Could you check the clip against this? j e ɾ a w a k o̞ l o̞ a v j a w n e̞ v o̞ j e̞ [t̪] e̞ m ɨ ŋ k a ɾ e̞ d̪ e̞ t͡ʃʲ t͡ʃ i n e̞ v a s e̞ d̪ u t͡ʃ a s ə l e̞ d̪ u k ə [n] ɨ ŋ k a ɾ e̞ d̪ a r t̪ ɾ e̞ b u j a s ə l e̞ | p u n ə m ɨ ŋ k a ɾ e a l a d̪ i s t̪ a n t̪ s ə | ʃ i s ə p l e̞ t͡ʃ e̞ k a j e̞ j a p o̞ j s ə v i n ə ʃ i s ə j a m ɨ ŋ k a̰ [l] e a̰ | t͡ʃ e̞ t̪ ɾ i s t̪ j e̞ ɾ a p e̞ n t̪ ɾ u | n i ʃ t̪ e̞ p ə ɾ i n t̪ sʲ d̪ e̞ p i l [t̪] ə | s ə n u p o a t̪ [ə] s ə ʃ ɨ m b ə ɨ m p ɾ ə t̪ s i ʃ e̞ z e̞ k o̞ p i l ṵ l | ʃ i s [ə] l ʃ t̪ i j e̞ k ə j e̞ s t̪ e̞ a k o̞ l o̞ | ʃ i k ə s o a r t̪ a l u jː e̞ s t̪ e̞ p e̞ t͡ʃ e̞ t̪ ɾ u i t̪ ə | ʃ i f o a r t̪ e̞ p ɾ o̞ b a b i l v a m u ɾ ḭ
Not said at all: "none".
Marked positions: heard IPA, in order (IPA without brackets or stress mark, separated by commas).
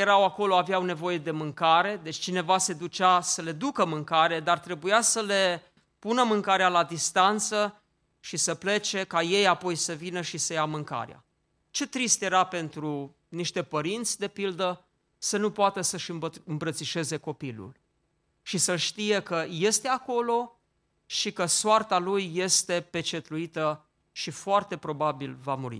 d̪, m, ɾ, d̪, ə, ə